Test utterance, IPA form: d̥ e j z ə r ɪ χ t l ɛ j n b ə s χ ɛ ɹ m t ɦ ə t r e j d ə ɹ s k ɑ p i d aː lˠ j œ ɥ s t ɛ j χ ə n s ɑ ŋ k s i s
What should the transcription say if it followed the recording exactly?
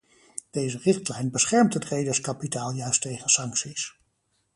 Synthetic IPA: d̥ e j z ə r ɪ χ t l ɛ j n b ə s χ ɛ ɹ m t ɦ ə t r e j d ə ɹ s k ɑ p i t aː lˠ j œ ɥ s t e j χ ə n s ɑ ŋ k s i s